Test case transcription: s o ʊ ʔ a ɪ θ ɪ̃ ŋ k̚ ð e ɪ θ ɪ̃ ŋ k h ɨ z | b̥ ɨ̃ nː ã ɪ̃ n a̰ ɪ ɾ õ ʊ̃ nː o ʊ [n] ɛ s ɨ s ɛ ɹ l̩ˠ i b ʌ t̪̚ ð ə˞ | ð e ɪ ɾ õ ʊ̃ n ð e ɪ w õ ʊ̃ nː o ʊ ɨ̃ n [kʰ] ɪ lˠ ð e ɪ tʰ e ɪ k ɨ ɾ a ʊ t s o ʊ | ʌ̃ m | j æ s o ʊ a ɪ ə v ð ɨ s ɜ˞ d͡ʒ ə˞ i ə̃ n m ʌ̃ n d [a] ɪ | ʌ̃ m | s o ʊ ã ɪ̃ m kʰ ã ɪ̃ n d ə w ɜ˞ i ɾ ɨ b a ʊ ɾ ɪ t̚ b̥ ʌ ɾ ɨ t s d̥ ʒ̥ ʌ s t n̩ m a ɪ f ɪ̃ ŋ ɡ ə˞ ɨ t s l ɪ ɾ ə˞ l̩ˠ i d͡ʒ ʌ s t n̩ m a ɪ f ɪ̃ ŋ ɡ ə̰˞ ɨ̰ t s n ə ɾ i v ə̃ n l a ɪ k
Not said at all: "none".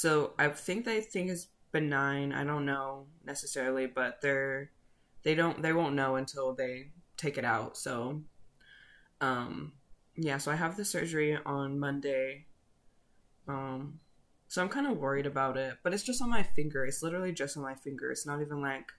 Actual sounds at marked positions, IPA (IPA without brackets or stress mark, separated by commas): n, tʰ, e